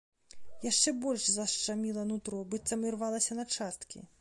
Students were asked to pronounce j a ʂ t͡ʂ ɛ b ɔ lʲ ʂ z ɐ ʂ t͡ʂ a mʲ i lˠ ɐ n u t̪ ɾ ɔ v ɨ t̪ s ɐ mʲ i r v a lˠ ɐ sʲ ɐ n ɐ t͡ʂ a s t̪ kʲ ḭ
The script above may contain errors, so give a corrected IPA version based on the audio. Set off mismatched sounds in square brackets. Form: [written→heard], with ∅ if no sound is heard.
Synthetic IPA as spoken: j a ʂ t͡ʂ ɛ b ɔ lʲ ʂ z ɐ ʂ t͡ʂ a mʲ i lˠ ɐ n u t̪ ɾ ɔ [v→b] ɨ t̪ s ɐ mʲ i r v a lˠ ɐ sʲ ɐ n ɐ t͡ʂ a s t̪ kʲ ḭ